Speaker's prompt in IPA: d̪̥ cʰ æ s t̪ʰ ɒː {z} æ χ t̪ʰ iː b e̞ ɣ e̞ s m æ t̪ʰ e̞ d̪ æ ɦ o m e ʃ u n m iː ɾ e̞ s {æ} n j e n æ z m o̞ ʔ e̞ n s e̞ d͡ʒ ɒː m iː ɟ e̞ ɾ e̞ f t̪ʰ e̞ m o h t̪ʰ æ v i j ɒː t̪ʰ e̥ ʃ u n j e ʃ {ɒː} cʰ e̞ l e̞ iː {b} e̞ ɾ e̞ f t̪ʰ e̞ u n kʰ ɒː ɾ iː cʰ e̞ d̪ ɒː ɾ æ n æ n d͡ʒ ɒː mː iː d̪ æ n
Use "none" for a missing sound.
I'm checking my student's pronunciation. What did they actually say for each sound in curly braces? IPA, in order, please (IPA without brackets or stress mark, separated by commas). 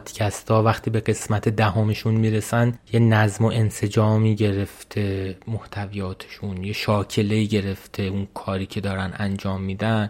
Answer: v, æ, ɒː, ɟ